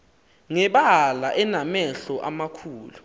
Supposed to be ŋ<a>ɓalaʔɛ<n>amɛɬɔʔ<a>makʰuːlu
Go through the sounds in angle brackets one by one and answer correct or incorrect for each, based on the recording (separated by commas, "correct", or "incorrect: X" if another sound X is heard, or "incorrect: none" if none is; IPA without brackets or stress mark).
incorrect: ɛ, correct, correct